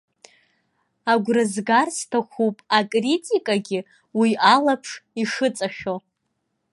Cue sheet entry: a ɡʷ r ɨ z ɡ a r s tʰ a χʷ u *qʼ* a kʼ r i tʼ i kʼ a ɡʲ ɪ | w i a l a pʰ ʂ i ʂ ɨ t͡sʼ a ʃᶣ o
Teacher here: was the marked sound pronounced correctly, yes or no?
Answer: no